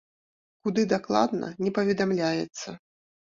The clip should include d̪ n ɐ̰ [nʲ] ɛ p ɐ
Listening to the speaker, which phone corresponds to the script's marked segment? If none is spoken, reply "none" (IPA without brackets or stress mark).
nʲ